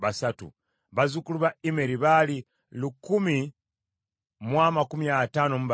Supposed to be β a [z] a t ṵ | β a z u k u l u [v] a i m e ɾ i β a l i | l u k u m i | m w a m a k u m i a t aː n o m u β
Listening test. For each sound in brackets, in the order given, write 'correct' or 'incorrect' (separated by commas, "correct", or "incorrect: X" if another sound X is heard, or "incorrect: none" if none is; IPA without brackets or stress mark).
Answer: incorrect: s, incorrect: β